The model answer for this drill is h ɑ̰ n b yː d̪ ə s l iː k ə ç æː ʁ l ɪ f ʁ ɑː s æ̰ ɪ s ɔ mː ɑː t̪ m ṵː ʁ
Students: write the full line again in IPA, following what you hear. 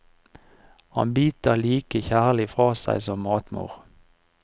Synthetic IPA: h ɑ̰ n b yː t̪ ə l iː k ə ç æː ʁ l ɪ f ʁ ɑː s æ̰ ɪ s ɔ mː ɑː t̪ m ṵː ʁ